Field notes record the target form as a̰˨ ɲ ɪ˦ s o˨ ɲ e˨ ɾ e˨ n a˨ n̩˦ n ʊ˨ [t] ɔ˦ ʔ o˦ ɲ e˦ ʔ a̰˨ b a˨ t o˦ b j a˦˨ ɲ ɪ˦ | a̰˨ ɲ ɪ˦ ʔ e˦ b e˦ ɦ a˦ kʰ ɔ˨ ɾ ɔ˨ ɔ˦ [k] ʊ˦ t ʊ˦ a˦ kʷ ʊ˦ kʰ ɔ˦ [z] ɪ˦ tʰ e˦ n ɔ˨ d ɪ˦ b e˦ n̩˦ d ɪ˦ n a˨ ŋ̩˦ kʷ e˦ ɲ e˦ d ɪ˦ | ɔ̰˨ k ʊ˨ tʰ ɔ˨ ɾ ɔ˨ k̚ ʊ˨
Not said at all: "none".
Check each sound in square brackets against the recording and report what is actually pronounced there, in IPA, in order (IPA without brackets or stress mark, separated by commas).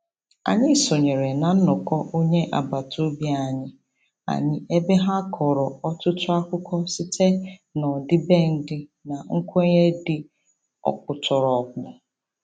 k, t, s